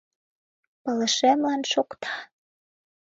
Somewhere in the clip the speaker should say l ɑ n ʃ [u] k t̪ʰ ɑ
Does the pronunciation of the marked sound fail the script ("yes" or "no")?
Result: yes